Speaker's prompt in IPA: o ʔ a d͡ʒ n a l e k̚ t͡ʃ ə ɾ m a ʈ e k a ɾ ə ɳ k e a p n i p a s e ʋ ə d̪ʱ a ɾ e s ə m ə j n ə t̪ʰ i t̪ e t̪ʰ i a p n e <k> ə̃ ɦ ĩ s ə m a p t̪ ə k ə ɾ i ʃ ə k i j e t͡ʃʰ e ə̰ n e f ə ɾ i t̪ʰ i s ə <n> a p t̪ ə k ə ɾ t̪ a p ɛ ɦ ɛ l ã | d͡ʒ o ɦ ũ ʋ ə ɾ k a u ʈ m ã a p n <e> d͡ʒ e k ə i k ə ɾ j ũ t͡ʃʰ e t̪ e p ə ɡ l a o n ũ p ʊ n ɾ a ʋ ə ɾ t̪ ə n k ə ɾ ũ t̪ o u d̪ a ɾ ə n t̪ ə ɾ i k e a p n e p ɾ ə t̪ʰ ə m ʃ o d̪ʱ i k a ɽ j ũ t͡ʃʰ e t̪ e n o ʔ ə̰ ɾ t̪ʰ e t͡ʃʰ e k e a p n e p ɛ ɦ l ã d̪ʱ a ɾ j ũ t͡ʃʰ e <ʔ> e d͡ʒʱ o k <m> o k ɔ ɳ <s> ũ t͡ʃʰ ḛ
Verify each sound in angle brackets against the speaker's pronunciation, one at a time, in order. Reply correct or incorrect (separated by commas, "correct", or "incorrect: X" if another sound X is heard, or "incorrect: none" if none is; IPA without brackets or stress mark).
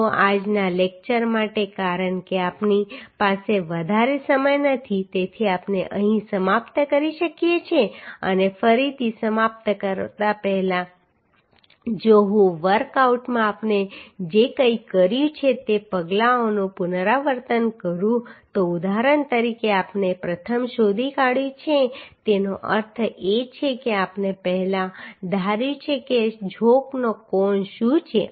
incorrect: ʔ, incorrect: m, correct, incorrect: k, incorrect: n, incorrect: ʃ